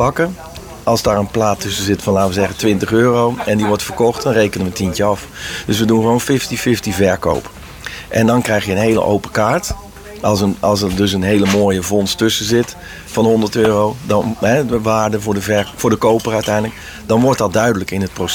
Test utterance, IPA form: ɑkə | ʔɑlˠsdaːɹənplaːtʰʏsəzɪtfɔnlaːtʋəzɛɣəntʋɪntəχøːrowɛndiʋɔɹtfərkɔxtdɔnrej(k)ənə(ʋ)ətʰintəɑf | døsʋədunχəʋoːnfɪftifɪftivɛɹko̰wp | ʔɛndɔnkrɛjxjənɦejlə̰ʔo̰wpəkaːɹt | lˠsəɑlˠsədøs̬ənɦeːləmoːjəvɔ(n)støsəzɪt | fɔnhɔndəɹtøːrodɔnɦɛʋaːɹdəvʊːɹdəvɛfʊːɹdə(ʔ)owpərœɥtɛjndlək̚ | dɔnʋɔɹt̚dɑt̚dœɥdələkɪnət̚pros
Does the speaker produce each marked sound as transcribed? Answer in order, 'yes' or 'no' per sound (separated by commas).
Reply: yes, yes, yes, no